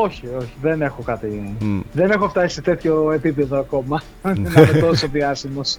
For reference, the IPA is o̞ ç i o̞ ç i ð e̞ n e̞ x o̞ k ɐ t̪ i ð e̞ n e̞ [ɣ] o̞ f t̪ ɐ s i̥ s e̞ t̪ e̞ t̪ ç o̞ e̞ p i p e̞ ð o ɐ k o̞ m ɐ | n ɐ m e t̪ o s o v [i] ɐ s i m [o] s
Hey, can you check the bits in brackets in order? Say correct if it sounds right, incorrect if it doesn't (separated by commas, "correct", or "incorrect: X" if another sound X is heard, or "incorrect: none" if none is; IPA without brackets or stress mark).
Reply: incorrect: x, correct, correct